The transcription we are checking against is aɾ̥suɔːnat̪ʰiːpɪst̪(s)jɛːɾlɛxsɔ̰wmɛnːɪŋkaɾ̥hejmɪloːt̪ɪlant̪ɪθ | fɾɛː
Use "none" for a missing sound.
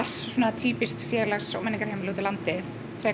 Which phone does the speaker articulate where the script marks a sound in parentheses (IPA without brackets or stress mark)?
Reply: f